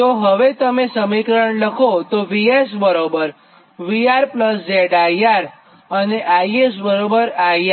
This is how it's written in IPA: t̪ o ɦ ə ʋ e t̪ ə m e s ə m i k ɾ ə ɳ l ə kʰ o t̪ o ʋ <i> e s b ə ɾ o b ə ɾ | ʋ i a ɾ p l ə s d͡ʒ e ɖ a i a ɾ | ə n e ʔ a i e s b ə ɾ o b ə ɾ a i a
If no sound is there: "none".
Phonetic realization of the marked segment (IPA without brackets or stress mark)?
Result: i